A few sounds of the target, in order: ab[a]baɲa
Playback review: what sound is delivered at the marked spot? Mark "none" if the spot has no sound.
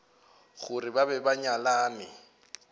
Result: ɛ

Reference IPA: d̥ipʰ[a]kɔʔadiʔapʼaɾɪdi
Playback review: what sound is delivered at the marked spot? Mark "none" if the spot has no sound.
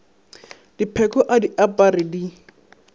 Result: ɛ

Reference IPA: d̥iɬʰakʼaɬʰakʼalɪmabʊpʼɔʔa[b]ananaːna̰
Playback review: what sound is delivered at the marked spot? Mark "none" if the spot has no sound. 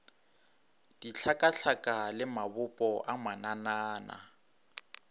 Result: m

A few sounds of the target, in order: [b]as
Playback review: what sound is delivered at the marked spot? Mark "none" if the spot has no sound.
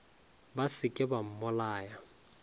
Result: b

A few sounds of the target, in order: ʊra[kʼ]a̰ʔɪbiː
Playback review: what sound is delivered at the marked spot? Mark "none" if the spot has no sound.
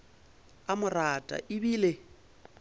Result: tʼ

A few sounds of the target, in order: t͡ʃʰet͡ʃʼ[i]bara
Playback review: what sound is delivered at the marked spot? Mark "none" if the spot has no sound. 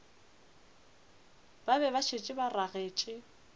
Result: ɪ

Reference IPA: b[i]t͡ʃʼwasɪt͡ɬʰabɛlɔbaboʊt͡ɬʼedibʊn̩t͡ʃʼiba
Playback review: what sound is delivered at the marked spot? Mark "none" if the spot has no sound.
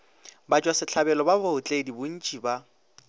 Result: a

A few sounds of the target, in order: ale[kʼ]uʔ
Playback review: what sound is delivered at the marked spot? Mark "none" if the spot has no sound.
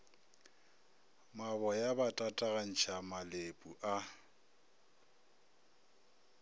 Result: pʼ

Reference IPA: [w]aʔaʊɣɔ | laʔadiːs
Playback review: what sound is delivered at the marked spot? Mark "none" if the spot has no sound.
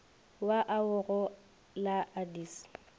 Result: w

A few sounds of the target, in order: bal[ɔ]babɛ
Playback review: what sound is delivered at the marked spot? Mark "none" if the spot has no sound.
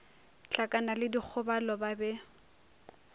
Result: ɔ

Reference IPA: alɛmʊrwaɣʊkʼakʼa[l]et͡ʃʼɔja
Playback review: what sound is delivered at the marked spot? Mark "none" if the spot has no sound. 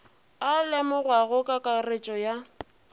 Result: r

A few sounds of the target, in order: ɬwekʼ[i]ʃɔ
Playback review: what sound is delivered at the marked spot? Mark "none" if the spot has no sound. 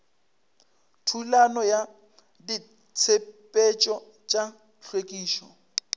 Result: iː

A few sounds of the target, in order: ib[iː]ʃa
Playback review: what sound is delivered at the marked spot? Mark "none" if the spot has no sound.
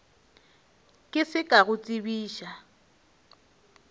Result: iː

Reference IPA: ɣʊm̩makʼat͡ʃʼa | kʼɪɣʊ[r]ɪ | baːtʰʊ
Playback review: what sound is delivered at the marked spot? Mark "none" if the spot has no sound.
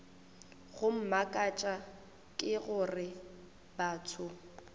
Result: r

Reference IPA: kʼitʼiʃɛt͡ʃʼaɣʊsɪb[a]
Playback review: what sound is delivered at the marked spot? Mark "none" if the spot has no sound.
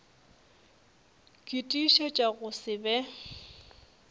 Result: ɛ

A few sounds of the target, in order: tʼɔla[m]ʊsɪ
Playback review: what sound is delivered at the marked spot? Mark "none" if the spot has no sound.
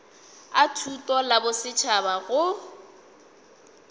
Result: b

